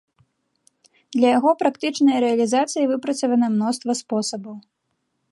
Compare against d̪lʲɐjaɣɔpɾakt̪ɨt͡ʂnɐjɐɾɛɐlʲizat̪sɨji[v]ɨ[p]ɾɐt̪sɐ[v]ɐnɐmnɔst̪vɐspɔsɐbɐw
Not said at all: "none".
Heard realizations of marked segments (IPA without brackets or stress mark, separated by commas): v, p, v